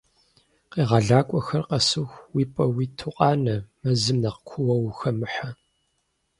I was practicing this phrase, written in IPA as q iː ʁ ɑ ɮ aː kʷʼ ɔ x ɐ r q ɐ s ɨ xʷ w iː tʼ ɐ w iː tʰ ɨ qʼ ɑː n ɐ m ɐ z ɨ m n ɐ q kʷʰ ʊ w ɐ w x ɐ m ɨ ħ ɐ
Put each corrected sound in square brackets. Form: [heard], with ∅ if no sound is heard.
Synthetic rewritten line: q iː ʁ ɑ ɮ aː kʷʼ ɔ x ɐ r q ɐ s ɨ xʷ w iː [pʼ] ɐ w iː tʰ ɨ qʼ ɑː n ɐ m ɐ z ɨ m n ɐ q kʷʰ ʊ w ɐ w x ɐ m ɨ ħ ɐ